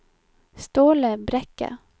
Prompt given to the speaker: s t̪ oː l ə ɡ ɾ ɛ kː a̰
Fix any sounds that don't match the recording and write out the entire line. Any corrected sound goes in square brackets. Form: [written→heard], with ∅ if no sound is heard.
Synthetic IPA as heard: s t̪ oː l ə [ɡ→b] ɾ ɛ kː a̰